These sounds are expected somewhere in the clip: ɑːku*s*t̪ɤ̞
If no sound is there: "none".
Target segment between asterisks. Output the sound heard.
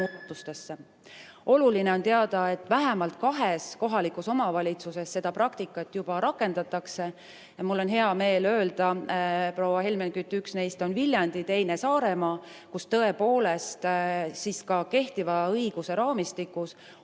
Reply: s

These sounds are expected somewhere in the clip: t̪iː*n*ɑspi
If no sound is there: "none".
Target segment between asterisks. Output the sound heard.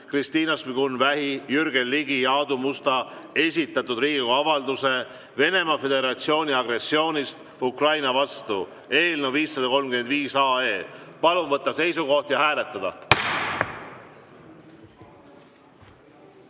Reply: n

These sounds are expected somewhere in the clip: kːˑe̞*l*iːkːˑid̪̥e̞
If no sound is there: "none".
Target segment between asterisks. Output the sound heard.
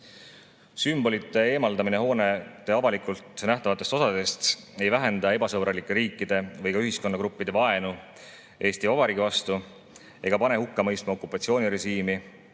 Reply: ɾ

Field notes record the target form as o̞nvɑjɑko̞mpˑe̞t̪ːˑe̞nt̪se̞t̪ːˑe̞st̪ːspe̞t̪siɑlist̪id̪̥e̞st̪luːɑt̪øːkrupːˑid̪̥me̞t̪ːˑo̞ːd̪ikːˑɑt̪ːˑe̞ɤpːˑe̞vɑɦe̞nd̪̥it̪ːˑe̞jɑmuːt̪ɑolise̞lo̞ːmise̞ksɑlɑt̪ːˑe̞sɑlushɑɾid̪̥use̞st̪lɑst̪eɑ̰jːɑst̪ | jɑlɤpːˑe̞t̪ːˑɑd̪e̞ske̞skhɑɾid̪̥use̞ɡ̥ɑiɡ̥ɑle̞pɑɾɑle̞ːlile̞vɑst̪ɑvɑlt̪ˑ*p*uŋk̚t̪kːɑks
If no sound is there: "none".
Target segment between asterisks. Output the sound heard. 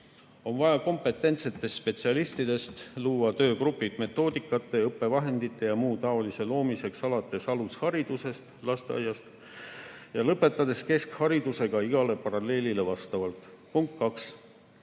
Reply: p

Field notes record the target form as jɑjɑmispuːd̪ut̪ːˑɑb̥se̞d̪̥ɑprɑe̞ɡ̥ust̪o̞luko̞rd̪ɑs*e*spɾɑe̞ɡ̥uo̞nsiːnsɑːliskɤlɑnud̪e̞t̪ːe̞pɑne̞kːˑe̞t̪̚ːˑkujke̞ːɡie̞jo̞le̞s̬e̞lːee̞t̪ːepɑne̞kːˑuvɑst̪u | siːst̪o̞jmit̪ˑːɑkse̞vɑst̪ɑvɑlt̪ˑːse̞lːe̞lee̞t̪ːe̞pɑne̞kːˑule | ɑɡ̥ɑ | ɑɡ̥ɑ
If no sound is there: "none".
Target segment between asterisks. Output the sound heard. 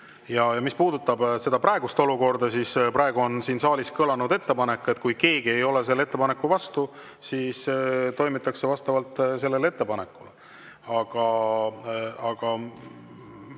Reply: i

